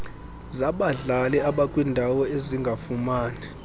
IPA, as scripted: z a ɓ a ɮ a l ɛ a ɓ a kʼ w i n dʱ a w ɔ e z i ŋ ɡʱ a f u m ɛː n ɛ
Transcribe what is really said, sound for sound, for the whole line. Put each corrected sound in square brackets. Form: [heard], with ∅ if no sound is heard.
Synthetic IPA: z a ɓ a ɮ a l ɛ a ɓ a kʼ w i n dʱ a w ɔ e z i ŋ ɡʱ a f u m [aː] n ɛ